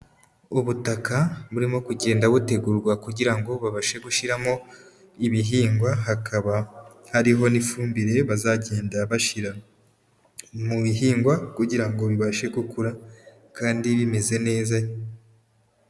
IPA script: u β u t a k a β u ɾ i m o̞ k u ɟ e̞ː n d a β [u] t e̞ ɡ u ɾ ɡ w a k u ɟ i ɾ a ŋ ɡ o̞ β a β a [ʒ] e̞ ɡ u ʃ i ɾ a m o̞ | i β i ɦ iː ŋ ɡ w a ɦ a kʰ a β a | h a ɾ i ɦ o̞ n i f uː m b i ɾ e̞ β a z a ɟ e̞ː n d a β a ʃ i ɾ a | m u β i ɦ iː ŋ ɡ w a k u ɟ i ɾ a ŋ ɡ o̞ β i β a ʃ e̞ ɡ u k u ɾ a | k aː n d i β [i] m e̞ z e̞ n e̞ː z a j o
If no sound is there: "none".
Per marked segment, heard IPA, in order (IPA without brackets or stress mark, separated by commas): u, ʃ, i